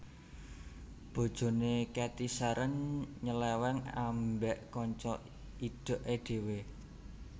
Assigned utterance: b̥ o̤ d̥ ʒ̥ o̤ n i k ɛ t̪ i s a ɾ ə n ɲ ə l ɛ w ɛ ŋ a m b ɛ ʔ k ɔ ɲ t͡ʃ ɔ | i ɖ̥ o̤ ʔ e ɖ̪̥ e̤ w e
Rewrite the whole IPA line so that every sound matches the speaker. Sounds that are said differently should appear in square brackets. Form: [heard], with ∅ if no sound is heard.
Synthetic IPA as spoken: b̥ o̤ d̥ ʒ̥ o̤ n [e] k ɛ t̪ i s a ɾ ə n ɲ ə l ɛ w ɛ ŋ a m b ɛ ʔ k ɔ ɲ t͡ʃ ɔ | i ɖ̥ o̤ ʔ e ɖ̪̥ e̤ w e

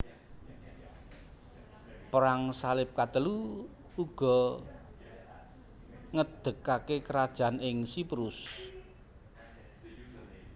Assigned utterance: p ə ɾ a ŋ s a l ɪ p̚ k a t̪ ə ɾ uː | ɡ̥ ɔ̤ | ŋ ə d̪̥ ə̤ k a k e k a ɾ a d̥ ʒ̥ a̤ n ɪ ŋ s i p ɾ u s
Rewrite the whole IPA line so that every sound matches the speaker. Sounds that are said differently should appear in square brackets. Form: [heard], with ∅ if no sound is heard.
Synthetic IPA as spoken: p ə ɾ a ŋ s a l ɪ p̚ k a t̪ ə [l] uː | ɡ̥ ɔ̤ | ŋ ə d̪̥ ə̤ k a k e k [ə] ɾ a d̥ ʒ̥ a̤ n ɪ ŋ s i p ɾ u s

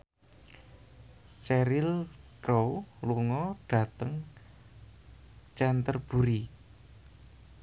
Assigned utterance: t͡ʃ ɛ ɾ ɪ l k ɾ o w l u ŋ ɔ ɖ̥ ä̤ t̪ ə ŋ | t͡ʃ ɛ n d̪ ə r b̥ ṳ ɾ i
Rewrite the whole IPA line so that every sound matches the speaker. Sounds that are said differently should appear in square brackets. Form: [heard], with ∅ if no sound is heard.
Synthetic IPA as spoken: t͡ʃ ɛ ɾ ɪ l k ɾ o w l u ŋ ɔ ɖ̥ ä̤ t̪ ə ŋ | t͡ʃ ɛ n [t̪] ə r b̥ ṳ ɾ i

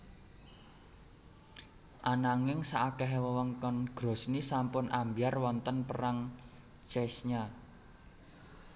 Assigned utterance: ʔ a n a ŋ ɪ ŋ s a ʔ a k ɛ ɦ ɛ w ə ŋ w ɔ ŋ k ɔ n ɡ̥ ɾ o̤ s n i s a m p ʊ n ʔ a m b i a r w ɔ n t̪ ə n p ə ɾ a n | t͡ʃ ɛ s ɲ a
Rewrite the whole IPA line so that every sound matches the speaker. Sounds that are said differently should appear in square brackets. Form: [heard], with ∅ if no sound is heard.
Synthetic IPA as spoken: ʔ a n a ŋ ɪ ŋ s a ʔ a k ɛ ɦ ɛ w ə [∅] w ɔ ŋ k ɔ n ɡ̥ ɾ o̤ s n i s a m p ʊ n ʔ a m b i a r w ɔ n t̪ ə n p ə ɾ a [ŋ] | t͡ʃ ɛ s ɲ a

